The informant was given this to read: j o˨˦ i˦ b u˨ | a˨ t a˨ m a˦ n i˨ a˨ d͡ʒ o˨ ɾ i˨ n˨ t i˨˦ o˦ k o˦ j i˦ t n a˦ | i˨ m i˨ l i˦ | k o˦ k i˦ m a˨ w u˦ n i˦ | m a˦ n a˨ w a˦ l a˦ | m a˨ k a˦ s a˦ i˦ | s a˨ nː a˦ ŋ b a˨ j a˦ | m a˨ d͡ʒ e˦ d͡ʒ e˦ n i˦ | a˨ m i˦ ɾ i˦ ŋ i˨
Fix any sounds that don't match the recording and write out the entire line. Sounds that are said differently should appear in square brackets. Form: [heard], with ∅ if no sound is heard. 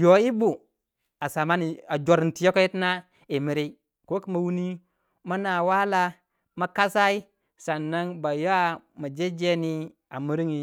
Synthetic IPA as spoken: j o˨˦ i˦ b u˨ | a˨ [s] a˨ m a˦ n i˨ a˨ d͡ʒ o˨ ɾ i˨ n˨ t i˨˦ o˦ k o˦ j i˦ t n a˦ | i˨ m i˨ [ɾ] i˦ | k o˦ k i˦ m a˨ w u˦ n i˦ | m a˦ n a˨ w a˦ l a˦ | m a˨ k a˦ s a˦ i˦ | s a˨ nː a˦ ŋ b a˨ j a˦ | m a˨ d͡ʒ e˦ d͡ʒ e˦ n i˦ | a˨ m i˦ ɾ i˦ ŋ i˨